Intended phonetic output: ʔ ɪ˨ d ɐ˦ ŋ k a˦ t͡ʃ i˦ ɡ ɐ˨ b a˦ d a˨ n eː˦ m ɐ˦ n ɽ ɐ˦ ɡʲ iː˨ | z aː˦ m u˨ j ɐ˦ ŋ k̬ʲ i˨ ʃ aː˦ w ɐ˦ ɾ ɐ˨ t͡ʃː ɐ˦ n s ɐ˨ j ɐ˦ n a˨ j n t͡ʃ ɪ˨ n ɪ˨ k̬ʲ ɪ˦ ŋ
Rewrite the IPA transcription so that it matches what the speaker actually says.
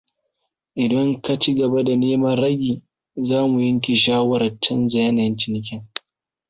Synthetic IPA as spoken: ʔ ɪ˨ d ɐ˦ ŋ k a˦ t͡ʃ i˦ ɡ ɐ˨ b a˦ d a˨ n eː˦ m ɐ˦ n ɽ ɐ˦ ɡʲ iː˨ | z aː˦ m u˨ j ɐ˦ ŋ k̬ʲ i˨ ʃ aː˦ w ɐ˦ ɾ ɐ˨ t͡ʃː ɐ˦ n z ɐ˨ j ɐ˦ n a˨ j n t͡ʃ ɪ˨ n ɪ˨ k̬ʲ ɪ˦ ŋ